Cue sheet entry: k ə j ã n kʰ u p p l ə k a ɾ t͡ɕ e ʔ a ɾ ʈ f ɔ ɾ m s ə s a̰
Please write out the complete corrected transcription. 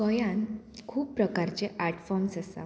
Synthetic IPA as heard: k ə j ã n kʰ uː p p ɾ ə k a ɾ t͡ɕ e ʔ a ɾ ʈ f ɔ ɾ m s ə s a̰